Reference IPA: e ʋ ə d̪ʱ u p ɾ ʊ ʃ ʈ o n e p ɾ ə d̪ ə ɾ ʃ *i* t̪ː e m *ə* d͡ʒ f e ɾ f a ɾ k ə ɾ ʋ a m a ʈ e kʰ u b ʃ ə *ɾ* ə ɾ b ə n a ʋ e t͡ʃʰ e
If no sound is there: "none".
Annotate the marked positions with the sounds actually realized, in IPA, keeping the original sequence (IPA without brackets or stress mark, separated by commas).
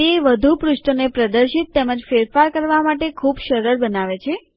i, ə, ɾ